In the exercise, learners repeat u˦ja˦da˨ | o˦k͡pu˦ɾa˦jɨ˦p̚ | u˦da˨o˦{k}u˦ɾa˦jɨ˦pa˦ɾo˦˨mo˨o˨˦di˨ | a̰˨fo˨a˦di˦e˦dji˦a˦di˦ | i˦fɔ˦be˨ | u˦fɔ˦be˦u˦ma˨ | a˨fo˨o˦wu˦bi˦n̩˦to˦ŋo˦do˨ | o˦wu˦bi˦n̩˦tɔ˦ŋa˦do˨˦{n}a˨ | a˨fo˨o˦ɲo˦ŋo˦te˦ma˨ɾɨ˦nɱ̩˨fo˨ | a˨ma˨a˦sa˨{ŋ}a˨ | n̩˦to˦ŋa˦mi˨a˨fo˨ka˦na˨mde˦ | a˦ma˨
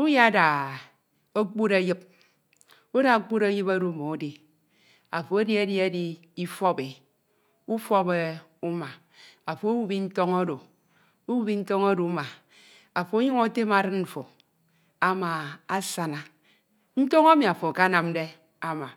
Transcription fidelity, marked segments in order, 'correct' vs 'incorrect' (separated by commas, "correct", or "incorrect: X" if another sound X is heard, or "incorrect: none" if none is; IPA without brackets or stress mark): incorrect: k͡p, incorrect: m, incorrect: n